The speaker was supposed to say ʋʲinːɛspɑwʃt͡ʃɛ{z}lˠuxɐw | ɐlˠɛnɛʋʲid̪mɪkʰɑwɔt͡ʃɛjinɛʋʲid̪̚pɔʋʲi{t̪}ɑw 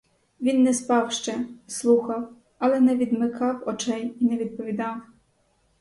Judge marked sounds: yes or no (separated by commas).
no, no